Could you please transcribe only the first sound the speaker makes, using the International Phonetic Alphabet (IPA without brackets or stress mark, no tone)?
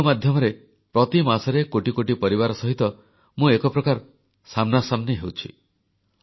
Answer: m